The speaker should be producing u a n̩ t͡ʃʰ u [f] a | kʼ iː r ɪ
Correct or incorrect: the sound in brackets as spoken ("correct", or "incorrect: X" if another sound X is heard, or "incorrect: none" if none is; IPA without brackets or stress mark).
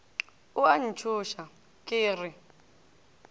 incorrect: ʃ